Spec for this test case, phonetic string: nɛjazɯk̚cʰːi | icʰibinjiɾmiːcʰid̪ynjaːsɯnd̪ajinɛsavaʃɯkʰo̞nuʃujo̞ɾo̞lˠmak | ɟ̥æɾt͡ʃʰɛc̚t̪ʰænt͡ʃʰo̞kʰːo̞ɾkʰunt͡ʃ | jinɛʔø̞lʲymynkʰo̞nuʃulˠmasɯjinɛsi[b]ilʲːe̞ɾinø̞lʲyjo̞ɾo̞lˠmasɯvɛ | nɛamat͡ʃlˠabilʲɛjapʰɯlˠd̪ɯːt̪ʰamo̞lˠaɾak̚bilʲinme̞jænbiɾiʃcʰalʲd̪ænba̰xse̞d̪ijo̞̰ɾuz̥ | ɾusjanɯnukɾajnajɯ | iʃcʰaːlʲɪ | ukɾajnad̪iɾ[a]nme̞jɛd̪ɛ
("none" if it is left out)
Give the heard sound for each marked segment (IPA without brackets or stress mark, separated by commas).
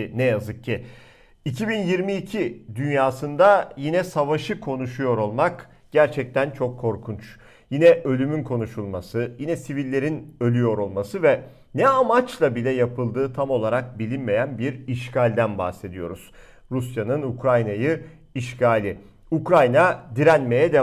v, æ